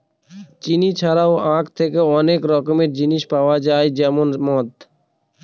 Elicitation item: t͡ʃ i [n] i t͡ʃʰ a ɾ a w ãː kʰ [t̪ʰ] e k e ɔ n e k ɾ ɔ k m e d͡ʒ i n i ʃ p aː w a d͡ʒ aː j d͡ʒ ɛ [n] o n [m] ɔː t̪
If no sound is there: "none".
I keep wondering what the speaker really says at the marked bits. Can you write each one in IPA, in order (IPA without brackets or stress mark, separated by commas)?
n, t̪ʰ, m, m